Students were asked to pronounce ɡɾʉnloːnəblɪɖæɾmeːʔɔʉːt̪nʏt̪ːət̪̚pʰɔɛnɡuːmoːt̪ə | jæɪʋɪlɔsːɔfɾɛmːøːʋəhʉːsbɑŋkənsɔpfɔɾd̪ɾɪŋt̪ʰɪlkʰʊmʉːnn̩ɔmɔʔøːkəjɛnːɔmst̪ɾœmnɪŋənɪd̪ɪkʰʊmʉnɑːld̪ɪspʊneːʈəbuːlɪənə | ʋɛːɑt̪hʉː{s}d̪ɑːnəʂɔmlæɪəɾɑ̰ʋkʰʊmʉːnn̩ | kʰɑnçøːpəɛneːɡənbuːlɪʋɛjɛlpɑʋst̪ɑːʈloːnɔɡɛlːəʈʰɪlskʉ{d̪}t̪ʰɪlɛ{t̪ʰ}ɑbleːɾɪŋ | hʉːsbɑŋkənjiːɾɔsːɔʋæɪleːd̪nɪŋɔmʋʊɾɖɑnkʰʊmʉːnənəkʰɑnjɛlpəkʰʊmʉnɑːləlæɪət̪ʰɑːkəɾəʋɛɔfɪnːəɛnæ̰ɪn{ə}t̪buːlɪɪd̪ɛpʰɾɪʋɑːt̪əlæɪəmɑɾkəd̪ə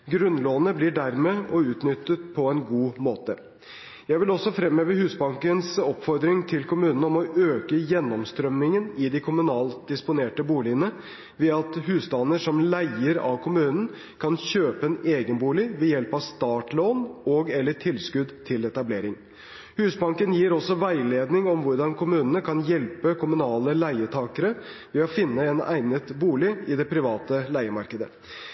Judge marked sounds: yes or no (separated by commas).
yes, yes, no, yes